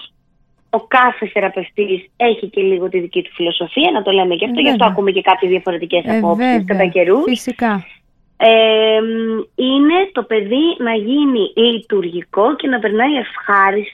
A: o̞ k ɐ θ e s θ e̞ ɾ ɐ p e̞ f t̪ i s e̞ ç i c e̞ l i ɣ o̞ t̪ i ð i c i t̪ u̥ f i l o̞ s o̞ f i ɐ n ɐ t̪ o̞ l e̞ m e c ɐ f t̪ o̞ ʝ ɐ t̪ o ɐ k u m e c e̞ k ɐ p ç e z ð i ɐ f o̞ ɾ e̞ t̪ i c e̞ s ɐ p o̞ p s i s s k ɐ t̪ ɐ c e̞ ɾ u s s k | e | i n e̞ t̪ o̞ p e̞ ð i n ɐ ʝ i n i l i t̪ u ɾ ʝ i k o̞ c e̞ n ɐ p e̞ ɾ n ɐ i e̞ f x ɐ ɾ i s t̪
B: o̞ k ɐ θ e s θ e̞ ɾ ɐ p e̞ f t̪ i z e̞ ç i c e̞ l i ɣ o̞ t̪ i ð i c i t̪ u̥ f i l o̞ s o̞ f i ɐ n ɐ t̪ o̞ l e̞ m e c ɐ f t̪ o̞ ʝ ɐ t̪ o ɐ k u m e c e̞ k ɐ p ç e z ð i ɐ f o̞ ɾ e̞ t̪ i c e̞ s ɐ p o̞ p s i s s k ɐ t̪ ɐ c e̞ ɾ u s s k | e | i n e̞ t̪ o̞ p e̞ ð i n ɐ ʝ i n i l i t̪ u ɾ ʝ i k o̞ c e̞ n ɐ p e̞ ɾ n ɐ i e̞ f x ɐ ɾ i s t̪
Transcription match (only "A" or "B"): A